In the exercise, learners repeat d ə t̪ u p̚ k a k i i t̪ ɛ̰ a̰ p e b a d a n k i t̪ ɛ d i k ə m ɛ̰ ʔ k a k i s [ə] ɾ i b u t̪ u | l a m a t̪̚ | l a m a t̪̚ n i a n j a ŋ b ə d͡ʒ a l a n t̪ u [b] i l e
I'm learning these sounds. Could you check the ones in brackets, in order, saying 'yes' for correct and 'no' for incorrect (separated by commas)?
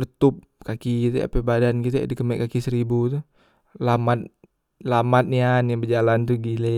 yes, no